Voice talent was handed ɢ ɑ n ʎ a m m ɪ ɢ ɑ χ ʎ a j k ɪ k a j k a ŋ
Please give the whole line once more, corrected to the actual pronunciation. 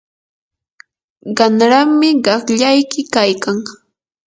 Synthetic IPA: ɢ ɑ n ɾ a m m ɪ ɢ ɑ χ ʎ a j k ɪ k a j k a ŋ